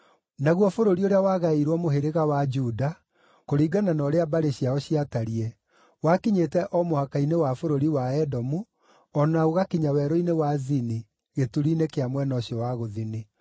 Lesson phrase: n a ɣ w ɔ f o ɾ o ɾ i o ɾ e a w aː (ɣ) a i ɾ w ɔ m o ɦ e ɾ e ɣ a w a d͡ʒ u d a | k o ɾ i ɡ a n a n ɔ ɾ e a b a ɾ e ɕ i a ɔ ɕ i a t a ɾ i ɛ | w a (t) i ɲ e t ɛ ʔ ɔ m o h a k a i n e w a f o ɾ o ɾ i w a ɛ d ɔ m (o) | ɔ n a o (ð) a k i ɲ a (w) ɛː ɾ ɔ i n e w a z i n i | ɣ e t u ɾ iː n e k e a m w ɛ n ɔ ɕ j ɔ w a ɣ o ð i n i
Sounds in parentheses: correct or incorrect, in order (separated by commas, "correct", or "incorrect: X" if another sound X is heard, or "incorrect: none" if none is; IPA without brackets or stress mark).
correct, incorrect: k, incorrect: u, incorrect: ɣ, correct